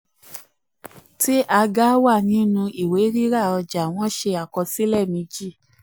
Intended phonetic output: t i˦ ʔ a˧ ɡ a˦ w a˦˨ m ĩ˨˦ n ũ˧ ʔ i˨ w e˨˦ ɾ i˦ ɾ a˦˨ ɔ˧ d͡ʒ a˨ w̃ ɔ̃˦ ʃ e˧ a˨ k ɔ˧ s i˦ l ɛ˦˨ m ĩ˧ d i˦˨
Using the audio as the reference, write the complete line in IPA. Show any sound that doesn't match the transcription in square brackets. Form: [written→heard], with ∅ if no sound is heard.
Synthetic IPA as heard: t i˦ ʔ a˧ ɡ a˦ w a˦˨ [m→n] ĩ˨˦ n ũ˧ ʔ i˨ w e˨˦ ɾ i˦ ɾ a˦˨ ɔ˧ d͡ʒ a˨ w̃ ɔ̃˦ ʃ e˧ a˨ k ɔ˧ s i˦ l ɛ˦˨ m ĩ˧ [d→d͡ʒ] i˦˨